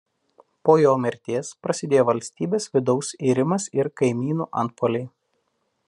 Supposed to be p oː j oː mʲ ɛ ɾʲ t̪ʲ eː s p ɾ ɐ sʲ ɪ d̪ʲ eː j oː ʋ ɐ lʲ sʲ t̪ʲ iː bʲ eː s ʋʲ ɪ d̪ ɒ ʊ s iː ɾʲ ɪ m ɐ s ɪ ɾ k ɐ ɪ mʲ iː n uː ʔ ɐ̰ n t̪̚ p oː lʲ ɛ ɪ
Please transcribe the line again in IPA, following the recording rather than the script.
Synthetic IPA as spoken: p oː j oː mʲ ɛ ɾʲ t̪ʲ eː s p ɾ ɐ sʲ ɪ d̪ʲ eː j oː ʋ ɐ lʲ sʲ t̪ʲ iː bʲ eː s ʋʲ ɪ d̪ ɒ ʊ s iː ɾʲ ɪ m ɐ s ɪ ɾ k ɐ ɪ mʲ iː n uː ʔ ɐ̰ n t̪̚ p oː lʲ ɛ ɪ